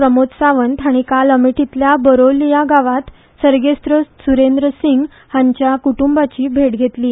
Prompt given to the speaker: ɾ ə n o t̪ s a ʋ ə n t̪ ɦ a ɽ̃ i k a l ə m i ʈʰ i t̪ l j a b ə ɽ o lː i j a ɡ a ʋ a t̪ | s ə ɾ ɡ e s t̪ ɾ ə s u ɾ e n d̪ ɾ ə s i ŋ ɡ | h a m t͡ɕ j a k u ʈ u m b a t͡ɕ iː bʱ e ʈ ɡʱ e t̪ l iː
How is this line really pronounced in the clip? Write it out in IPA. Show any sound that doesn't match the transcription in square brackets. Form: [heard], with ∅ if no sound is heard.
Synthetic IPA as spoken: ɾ ə [m] o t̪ s a ʋ ə n t̪ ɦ a ɽ̃ i k a l ə m i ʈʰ i t̪ l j a b ə [ɾ] o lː i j a ɡ a ʋ a t̪ | s ə ɾ ɡ e s t̪ ɾ ə s u ɾ e n d̪ ɾ ə s i ŋ ɡ | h a [ɲ] t͡ɕ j a k u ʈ u m b a t͡ɕ iː bʱ e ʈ ɡʱ e t̪ l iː

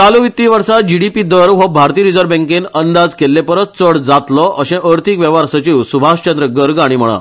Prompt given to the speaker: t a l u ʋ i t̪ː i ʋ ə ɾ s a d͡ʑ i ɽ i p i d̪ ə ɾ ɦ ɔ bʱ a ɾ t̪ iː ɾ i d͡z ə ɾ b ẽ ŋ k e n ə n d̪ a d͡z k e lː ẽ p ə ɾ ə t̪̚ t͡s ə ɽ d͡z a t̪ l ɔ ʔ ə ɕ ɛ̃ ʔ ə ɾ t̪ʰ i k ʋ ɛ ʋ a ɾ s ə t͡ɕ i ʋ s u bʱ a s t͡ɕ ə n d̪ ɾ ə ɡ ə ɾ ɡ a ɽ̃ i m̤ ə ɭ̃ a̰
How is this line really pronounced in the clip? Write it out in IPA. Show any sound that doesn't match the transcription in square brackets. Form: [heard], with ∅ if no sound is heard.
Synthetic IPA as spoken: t a l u ʋ i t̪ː i ʋ ə ɾ s a d͡ʑ i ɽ i p i d̪ ə ɾ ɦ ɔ bʱ a ɾ t̪ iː ɾ i d͡z ə ɾ b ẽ ŋ k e n ə n d̪ a d͡z k e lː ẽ p ə ɾ ə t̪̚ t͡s ə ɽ d͡z a t̪ l ɔ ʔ ə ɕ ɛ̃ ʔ ə ɾ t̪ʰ i k ʋ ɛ ʋ a ɾ s ə t͡ɕ i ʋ s u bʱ a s t͡ɕ ə n d̪ ɾ ə ɡ ə ɾ ɡ a ɽ̃ i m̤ ə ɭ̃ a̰

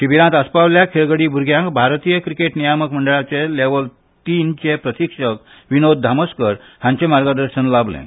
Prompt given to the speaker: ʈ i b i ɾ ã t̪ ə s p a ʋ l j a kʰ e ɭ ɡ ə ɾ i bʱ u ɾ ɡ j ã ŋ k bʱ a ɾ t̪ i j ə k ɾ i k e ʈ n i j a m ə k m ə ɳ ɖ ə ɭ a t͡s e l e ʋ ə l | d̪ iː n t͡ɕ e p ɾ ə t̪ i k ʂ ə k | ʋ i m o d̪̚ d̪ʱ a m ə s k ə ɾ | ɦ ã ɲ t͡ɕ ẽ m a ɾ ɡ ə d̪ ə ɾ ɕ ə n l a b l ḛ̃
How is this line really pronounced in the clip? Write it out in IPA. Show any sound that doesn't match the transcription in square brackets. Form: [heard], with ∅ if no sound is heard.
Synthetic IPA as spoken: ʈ i b i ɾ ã t̪ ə s p a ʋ l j a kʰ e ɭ ɡ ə [ɽ] i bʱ u ɾ ɡ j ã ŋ k bʱ a ɾ t̪ i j ə k ɾ i k e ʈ n i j a m ə k m ə ɳ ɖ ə ɭ a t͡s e l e ʋ ə l | [t̪] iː n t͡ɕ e p ɾ ə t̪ i k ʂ ə k | ʋ i [n] o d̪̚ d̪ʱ a m ə s k ə ɾ | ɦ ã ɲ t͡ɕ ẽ m a ɾ ɡ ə d̪ ə ɾ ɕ ə n l a b l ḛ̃

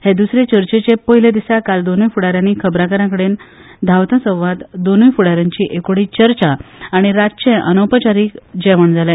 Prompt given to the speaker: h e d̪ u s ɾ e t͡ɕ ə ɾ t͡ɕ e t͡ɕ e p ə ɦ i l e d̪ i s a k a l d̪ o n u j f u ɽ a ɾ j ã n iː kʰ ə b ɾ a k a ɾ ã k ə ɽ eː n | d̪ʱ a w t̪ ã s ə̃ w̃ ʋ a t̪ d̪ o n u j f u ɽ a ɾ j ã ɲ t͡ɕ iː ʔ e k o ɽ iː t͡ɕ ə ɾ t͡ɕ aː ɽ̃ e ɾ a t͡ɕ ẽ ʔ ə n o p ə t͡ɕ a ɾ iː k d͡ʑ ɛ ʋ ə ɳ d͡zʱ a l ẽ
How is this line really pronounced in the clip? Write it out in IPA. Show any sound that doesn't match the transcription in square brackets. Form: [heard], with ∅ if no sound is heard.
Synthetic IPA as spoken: h e d̪ u s ɾ e t͡ɕ ə ɾ t͡ɕ e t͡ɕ e p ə ɦ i l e d̪ i s a k a l d̪ o n u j f u ɽ a ɾ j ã n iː kʰ ə b ɾ a k [ə] ɾ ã k ə ɽ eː n | d̪ʱ a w t̪ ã s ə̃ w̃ ʋ a t̪ d̪ o n u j f u ɽ a ɾ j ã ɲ t͡ɕ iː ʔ e k o ɽ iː t͡ɕ ə ɾ t͡ɕ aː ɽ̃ [i] ɾ a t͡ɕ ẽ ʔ ə n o p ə t͡ɕ a ɾ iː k d͡ʑ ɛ ʋ ə ɳ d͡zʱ a l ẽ

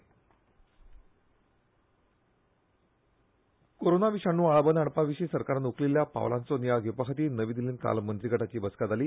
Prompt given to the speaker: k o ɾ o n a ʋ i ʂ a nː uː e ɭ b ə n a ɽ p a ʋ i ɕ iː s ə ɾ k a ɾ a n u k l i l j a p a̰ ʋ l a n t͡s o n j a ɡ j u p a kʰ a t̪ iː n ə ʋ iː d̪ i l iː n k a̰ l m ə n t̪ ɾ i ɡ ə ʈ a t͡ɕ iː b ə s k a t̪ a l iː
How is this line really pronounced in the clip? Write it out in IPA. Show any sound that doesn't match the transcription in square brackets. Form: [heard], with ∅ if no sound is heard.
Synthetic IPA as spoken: k o ɾ o n a ʋ i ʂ a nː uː [a] ɭ b ə n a ɽ p a ʋ i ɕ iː s ə ɾ k a ɾ a n u k l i l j a p a̰ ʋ l a n t͡s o n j a ɡ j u p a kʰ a t̪ iː n ə ʋ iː d̪ i l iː n k a̰ l m ə n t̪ ɾ i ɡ ə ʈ a t͡ɕ iː b ə s k a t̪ a l iː

